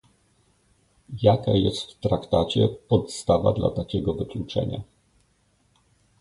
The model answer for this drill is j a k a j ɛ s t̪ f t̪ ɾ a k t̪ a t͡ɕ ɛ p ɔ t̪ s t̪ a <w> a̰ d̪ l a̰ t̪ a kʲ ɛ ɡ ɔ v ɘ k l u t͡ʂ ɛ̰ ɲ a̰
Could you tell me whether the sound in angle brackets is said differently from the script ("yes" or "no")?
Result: yes